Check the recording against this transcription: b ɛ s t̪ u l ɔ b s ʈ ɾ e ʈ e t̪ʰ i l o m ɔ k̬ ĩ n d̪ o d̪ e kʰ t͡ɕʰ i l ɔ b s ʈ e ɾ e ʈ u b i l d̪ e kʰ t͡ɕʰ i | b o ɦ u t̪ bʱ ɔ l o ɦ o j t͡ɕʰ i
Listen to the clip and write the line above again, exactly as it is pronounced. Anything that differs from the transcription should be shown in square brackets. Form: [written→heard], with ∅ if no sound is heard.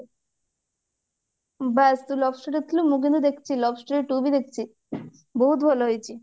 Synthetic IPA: b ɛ s t̪ u l ɔ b s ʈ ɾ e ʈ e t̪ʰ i l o m [ɔ→u] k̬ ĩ n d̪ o d̪ e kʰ t͡ɕʰ i l ɔ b s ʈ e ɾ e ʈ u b i [l→∅] d̪ e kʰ t͡ɕʰ i | b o ɦ u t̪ bʱ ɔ l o ɦ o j t͡ɕʰ i